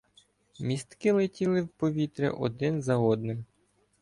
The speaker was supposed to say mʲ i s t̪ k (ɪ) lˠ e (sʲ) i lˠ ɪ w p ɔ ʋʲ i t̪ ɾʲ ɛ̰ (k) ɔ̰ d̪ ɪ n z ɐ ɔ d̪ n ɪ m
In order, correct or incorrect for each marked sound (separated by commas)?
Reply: correct, incorrect, incorrect